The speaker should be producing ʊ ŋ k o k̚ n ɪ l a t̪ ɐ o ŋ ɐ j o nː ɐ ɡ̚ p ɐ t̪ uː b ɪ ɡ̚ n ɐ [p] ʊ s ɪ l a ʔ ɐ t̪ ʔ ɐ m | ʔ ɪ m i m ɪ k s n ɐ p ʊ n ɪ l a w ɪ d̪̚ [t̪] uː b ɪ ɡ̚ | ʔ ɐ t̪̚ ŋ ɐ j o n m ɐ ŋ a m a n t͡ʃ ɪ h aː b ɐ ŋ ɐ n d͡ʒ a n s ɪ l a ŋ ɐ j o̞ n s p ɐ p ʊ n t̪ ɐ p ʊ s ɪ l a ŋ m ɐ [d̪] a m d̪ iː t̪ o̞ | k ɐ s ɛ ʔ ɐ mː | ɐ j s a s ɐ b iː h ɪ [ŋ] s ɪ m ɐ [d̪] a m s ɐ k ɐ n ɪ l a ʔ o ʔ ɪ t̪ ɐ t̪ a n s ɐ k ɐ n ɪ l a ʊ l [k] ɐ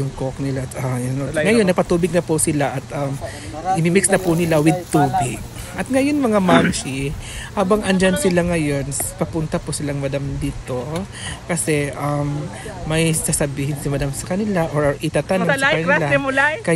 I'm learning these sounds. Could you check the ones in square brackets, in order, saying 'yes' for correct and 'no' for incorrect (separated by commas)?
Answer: yes, yes, yes, no, yes, yes